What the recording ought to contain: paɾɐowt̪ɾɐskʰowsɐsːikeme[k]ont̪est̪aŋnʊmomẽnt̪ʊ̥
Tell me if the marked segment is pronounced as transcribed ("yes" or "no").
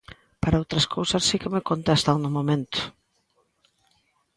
yes